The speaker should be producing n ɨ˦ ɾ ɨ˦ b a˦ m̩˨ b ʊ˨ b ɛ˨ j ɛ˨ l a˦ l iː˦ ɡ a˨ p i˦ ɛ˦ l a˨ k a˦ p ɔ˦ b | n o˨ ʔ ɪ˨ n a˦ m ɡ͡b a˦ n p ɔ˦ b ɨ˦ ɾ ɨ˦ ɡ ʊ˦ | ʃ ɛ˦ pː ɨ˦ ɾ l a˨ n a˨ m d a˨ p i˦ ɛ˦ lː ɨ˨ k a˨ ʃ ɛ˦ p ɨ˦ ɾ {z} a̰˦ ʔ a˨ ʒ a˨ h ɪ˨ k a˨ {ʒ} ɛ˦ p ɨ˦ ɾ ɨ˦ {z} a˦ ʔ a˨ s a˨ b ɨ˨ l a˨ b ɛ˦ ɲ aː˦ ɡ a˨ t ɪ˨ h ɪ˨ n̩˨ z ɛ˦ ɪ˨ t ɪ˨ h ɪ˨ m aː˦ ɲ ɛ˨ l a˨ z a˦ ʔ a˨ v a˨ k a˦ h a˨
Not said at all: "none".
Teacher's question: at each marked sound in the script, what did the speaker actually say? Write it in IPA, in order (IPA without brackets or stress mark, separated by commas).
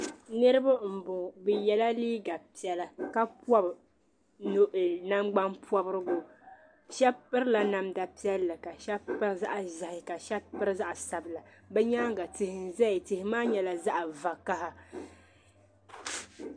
z, ʃ, z